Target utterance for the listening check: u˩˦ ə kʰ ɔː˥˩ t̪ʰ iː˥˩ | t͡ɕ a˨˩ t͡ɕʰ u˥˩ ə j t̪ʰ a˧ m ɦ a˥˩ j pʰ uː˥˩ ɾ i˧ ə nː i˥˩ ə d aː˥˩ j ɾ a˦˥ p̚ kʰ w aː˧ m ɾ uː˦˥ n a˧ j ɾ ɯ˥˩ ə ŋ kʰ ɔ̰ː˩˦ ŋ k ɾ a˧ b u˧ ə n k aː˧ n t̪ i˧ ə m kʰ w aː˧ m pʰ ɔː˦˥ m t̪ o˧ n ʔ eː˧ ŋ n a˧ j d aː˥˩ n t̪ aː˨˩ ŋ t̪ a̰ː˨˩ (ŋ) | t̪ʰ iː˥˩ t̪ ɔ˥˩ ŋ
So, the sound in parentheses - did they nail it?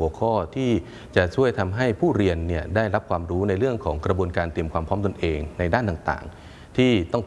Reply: yes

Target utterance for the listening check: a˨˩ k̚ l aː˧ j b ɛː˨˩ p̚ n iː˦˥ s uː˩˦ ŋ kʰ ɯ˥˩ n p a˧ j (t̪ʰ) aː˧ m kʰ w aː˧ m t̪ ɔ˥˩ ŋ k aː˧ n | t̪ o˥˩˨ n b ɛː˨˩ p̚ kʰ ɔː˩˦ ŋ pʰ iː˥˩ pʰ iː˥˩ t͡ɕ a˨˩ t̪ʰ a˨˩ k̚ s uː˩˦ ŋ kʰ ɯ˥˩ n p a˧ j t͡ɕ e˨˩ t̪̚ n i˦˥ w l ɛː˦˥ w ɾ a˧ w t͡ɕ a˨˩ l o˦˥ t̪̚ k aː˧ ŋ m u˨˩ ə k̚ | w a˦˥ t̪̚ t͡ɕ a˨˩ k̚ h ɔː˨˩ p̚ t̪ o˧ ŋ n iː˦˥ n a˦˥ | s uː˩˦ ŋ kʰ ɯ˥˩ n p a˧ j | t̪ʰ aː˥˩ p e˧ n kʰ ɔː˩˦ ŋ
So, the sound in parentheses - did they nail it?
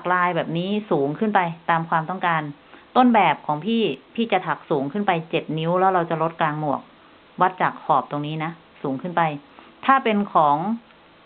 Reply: no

